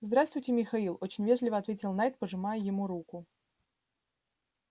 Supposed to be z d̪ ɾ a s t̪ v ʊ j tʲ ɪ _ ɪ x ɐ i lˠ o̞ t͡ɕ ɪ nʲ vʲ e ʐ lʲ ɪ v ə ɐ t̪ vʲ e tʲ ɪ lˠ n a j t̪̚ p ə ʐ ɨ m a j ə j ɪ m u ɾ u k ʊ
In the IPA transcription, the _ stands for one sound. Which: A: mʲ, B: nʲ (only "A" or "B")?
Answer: A